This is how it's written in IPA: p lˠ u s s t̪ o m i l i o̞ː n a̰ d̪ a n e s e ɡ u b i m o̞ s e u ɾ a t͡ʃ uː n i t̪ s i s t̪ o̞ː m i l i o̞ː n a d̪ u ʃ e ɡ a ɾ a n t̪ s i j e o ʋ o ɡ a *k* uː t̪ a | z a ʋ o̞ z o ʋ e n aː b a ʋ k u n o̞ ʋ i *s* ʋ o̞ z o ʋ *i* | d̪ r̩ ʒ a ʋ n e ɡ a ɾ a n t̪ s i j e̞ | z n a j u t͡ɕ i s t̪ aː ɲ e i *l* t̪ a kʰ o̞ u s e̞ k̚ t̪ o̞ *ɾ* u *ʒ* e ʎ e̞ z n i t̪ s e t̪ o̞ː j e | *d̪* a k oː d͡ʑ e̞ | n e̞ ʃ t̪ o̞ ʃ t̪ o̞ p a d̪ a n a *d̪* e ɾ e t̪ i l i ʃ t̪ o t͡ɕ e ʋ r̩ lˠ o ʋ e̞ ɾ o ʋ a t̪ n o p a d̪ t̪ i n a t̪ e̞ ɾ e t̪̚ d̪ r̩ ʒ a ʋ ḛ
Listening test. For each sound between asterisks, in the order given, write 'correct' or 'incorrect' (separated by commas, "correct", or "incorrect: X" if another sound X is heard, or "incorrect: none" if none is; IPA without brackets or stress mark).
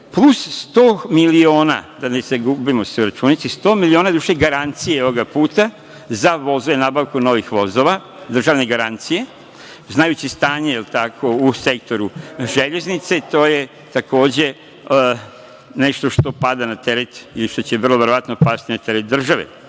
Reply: incorrect: p, incorrect: x, incorrect: a, correct, correct, correct, incorrect: t̪, incorrect: t̪